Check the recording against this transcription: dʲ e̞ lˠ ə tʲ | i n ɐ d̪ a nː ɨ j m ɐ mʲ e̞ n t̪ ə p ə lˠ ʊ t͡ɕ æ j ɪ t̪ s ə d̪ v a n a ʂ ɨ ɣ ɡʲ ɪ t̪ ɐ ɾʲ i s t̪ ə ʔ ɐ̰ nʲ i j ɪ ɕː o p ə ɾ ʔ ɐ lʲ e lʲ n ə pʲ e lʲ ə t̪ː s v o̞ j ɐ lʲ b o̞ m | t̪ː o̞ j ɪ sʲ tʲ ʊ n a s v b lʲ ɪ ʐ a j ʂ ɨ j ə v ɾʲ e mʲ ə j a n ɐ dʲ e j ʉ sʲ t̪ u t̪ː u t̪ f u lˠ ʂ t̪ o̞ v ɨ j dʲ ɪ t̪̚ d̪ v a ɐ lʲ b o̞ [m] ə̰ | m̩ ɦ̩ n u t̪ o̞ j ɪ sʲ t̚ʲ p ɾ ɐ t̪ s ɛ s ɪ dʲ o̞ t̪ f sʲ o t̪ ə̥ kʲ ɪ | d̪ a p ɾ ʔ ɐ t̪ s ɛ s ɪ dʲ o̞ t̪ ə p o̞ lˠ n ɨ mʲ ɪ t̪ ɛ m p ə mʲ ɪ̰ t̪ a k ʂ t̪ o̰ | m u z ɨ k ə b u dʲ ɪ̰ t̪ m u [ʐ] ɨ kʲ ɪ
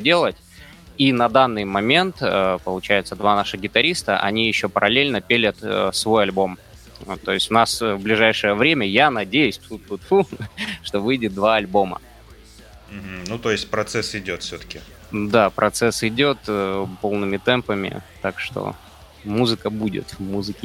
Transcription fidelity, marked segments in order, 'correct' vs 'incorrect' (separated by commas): correct, incorrect